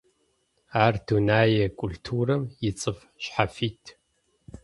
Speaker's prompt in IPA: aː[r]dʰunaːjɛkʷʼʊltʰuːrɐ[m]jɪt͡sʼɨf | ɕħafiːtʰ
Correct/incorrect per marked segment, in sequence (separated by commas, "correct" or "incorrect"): correct, correct